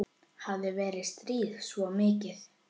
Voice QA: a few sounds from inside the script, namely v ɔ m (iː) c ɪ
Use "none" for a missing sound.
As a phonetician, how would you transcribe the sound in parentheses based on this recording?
ɪː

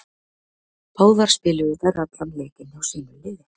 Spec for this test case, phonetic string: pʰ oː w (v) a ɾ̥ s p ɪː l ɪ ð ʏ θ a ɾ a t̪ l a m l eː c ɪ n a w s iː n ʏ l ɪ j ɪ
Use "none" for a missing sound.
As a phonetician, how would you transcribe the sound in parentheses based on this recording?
ð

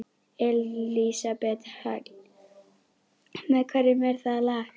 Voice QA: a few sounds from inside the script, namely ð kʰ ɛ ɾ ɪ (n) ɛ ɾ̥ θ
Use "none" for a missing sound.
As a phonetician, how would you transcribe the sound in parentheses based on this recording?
m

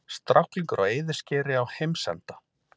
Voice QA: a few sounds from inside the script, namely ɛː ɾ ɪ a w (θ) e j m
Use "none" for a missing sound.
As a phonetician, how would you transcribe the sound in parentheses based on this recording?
h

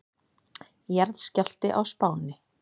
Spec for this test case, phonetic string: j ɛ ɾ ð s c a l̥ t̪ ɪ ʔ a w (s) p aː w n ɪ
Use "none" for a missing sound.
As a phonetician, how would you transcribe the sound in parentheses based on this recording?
s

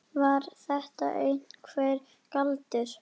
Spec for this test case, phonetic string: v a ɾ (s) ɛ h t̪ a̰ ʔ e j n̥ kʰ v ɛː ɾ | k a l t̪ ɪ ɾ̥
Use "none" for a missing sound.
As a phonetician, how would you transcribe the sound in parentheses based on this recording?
θ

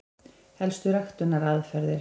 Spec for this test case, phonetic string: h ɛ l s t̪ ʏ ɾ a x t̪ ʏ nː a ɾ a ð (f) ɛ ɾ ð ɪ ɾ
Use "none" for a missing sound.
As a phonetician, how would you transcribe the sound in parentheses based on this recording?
f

